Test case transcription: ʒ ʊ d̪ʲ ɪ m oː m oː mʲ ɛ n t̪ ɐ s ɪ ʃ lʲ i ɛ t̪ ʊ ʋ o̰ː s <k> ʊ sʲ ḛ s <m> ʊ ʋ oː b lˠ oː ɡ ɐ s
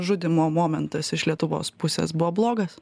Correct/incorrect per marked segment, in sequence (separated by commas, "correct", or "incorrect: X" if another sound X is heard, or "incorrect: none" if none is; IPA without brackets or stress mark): incorrect: p, incorrect: b